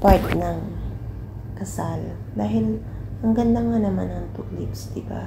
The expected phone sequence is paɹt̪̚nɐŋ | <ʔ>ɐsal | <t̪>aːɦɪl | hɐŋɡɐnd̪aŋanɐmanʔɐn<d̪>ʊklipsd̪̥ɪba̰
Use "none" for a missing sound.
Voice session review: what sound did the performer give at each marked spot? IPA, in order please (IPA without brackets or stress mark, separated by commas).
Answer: k, d̪, t̪